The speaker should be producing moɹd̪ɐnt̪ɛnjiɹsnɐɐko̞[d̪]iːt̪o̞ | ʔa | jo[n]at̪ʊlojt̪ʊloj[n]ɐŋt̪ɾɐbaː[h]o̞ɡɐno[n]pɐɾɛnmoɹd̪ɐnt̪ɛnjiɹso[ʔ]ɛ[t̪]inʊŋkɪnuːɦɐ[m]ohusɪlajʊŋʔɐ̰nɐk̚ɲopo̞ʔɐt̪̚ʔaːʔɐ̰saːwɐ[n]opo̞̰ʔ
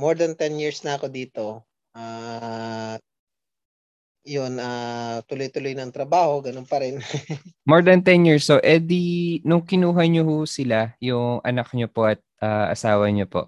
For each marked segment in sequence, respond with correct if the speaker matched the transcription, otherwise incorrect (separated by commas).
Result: correct, correct, correct, correct, correct, correct, incorrect, incorrect, incorrect